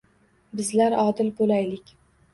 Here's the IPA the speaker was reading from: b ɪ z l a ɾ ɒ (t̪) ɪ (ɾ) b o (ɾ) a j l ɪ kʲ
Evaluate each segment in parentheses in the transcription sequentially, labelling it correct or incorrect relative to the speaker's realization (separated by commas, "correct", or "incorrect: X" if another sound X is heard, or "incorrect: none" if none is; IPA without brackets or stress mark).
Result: incorrect: d̪, incorrect: l, incorrect: l